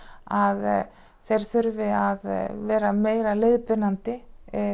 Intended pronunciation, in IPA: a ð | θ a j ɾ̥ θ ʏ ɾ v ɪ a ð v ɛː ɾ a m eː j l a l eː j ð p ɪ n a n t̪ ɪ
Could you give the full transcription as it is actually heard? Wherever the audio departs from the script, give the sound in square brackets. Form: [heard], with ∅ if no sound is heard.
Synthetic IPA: a ð | θ [e] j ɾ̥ θ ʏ ɾ v ɪ a ð v ɛː ɾ a m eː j [ɾ] a l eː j ð p ɪ n a n t̪ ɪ